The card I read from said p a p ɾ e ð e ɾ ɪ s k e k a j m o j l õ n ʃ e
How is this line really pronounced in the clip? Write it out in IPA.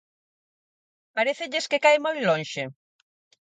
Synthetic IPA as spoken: p a ɾ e θ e ʎ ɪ s k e k a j m o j l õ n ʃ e